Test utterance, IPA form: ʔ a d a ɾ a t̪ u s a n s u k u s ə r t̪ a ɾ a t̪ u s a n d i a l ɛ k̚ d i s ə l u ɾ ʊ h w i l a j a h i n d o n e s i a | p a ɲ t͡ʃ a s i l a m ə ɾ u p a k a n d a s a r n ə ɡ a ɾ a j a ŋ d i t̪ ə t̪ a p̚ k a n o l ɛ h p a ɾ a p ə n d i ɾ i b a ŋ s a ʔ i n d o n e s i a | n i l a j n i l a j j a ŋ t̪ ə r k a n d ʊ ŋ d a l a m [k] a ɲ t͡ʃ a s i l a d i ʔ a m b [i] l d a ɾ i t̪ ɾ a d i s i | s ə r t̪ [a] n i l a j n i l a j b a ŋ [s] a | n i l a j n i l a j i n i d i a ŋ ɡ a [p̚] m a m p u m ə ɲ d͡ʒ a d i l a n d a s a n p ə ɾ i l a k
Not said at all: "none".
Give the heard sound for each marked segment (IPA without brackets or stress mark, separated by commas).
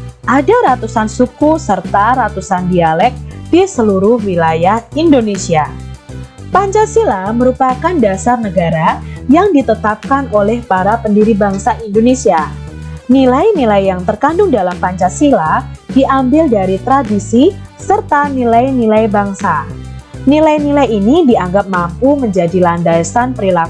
p, ɪ, a, s, p̚